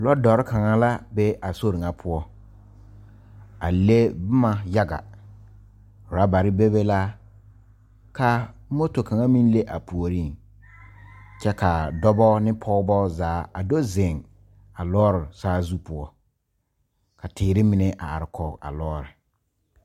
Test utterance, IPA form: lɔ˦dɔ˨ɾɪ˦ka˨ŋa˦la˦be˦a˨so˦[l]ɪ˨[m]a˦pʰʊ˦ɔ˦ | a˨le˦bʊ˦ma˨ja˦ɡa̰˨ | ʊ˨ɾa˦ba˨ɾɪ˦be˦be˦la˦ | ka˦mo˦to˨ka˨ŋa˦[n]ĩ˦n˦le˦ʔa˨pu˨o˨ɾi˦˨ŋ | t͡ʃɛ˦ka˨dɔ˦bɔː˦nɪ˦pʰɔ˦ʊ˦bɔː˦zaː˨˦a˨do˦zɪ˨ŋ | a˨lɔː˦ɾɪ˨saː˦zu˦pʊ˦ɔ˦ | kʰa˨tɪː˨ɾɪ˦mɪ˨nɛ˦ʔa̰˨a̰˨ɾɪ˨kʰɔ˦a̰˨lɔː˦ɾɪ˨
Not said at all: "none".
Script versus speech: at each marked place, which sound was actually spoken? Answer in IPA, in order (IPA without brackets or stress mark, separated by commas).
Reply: ɾ, ŋ, m